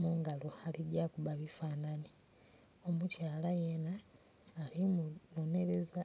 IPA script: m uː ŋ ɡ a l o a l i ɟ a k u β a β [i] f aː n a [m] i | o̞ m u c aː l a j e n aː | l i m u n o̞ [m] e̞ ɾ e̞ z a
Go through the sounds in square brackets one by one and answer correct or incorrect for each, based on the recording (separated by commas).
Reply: correct, incorrect, incorrect